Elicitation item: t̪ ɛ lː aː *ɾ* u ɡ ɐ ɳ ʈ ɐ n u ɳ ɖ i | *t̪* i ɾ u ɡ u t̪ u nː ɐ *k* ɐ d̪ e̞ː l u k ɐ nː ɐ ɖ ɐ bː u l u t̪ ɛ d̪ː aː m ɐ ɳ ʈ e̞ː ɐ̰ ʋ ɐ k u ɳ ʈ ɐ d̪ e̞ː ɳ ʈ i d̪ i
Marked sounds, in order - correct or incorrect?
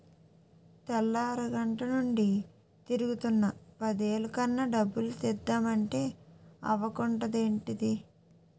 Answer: correct, correct, incorrect

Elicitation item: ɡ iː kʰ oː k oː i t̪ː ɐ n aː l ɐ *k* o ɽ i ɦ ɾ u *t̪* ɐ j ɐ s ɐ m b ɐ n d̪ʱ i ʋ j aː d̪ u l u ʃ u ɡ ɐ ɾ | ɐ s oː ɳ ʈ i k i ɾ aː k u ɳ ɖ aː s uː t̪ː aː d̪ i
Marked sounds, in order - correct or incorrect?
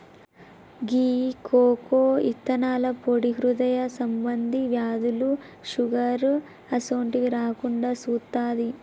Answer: incorrect, incorrect

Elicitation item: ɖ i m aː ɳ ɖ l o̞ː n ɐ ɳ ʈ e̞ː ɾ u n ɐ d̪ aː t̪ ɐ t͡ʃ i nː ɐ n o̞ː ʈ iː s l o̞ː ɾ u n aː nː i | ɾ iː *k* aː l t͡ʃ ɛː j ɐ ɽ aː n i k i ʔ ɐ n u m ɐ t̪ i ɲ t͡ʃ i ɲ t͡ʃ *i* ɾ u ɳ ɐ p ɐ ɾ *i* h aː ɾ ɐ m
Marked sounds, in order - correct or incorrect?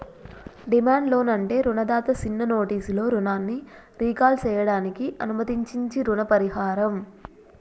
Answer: correct, correct, correct

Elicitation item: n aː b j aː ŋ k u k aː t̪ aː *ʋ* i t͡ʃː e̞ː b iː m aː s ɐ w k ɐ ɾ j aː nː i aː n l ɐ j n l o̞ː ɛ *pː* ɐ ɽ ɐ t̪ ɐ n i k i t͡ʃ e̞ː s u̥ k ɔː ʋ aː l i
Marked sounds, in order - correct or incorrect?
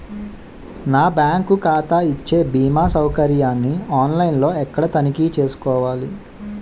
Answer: incorrect, incorrect

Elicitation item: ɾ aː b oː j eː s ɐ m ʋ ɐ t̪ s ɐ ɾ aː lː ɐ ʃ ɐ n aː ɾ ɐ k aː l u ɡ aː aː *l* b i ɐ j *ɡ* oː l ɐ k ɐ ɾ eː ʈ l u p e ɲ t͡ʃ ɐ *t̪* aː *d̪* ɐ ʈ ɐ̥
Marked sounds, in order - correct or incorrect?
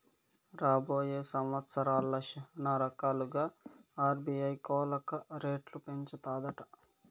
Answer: incorrect, incorrect, correct, correct

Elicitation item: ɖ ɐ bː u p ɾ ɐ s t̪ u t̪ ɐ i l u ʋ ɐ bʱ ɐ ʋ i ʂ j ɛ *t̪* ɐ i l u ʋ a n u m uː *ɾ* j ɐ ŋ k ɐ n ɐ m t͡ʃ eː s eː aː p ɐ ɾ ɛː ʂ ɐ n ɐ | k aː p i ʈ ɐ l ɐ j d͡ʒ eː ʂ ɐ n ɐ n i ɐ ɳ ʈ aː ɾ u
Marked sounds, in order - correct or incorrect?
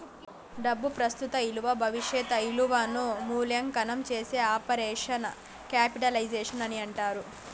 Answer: correct, incorrect

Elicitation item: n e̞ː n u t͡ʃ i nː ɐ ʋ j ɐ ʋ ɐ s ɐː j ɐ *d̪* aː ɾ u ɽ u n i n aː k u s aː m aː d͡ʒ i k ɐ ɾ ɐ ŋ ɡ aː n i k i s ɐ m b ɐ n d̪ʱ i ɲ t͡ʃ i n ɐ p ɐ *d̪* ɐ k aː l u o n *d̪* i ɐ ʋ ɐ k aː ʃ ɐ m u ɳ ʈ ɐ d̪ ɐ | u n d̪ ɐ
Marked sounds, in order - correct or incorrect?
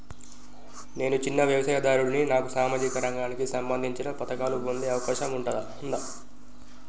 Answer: correct, incorrect, correct

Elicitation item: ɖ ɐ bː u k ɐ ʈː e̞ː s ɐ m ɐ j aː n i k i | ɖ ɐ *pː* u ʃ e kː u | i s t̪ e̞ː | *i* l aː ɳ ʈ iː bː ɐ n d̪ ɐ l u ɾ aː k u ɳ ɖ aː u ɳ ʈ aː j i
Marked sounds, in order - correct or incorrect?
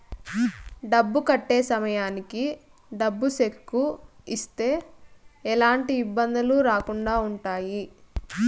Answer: incorrect, incorrect

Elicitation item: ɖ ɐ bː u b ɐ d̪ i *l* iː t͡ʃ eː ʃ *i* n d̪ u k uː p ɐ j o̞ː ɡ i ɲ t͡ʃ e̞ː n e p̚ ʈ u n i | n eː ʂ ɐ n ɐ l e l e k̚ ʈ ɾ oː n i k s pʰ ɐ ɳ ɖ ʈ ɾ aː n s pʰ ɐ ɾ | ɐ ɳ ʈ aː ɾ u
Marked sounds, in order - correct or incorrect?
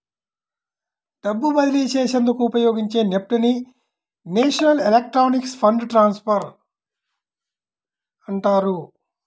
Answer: correct, incorrect

